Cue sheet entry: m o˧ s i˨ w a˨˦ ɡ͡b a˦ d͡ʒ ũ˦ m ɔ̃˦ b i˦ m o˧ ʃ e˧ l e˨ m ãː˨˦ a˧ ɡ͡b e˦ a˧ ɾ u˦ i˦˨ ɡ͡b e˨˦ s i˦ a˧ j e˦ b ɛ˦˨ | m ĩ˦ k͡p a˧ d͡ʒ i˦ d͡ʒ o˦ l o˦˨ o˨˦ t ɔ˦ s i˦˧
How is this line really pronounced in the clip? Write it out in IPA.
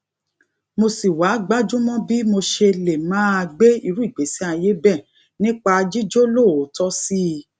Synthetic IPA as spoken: m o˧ s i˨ w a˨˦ ɡ͡b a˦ d͡ʒ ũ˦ m ɔ̃˦ b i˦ m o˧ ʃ e˧ l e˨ m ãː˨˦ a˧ ɡ͡b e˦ i˧ ɾ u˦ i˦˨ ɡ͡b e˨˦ s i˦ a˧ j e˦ b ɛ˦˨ | n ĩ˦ k͡p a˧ d͡ʒ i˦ d͡ʒ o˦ l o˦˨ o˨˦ t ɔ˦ s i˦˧